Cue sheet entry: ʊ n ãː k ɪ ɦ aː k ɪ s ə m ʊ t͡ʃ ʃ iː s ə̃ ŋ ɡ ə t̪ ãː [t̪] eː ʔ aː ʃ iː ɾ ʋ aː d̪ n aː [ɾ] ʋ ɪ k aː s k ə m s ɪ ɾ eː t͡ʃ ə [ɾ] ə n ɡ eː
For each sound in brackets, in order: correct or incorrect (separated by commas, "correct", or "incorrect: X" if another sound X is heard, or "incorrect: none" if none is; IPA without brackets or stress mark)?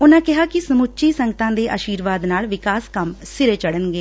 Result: incorrect: d̪, incorrect: l, incorrect: ɽ